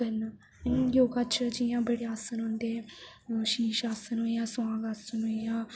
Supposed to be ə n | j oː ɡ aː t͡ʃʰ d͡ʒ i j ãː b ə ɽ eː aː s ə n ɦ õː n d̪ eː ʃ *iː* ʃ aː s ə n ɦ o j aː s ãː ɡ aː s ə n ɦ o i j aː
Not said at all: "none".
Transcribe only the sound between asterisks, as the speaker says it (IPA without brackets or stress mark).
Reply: iː